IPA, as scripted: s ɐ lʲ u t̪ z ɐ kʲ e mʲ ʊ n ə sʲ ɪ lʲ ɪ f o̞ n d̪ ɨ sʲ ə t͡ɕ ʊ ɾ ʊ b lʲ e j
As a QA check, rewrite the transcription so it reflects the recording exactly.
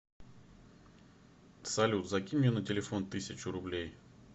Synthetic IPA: s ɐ lʲ u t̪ z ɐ kʲ i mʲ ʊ n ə tʲ ɪ lʲ ɪ f o̞ n t̪ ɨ sʲ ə t͡ɕ ʊ ɾ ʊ b lʲ e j